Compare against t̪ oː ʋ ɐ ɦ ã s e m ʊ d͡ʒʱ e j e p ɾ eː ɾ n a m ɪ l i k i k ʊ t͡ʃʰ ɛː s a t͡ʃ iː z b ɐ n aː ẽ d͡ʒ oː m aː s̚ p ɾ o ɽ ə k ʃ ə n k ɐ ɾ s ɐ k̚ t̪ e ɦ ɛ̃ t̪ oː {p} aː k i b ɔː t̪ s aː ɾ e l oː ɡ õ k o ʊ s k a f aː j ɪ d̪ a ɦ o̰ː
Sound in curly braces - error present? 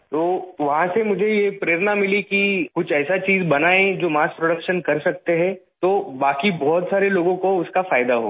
yes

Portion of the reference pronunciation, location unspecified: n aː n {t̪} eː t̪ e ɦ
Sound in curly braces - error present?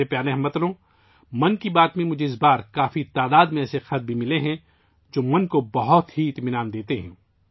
yes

